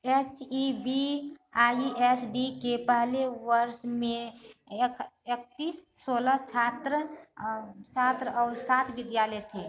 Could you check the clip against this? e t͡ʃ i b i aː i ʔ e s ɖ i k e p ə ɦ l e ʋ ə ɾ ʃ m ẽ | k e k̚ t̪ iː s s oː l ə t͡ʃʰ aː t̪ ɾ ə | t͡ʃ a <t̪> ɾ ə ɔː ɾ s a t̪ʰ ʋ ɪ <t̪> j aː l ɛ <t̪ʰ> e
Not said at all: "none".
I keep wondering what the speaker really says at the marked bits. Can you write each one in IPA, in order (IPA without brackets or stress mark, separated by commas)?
t̪, d̪, t̪ʰ